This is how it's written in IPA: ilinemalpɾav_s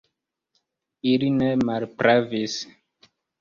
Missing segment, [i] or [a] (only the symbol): i